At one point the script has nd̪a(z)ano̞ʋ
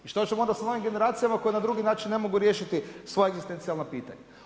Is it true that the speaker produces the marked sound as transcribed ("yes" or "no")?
no